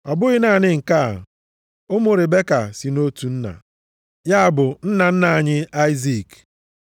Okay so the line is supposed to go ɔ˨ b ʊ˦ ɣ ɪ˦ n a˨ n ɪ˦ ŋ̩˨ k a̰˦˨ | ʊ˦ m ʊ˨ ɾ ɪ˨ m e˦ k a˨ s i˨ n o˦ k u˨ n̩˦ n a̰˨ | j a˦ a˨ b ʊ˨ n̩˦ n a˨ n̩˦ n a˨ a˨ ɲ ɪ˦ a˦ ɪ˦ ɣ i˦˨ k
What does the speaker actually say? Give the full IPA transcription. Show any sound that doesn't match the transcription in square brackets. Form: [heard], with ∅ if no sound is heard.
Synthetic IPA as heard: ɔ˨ b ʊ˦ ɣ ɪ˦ n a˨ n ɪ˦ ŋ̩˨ k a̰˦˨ | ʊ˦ m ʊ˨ ɾ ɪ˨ [b] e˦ k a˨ s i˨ n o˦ [t] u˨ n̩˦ n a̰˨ | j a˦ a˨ b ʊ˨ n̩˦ n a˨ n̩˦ n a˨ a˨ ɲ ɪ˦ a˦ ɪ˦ [z] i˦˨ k